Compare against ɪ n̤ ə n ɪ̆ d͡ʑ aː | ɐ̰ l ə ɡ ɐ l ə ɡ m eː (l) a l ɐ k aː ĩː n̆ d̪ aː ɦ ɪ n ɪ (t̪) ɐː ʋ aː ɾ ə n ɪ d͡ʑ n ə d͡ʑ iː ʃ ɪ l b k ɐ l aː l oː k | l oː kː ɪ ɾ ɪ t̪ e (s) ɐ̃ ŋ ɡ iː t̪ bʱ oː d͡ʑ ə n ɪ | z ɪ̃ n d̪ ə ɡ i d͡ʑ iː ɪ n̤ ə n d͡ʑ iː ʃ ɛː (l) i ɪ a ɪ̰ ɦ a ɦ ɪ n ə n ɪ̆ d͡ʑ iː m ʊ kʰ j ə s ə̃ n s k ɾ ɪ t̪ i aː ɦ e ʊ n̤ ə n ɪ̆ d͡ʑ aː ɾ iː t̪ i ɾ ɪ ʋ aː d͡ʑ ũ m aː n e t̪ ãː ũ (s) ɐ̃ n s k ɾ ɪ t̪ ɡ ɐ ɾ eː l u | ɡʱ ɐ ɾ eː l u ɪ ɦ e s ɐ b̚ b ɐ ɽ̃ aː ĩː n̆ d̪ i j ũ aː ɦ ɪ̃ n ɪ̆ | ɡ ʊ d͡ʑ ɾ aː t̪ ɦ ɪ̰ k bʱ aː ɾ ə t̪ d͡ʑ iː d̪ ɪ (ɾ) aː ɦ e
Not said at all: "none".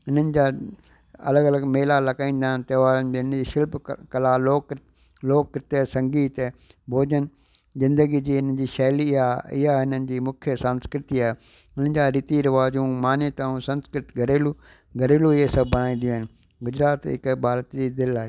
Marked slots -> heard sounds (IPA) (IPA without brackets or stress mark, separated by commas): l, t̪, s, l, s, l